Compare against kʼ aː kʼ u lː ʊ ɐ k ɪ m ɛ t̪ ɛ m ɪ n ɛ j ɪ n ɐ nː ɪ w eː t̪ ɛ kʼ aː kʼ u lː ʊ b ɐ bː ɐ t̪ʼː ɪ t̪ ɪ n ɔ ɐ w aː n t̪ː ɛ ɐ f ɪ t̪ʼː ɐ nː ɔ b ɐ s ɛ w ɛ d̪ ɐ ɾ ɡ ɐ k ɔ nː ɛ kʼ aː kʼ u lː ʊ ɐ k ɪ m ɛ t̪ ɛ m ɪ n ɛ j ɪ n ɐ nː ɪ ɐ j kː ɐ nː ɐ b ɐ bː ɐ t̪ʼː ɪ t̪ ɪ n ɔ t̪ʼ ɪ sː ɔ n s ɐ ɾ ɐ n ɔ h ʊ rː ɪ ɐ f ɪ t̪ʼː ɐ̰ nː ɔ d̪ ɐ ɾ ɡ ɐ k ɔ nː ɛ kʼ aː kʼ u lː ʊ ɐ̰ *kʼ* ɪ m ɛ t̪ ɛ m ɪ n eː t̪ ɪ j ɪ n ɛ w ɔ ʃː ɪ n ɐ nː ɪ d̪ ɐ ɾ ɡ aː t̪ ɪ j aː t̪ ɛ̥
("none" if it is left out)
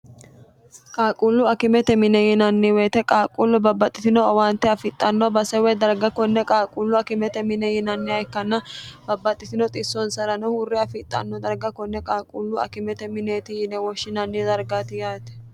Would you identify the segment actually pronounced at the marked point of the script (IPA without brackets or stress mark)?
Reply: k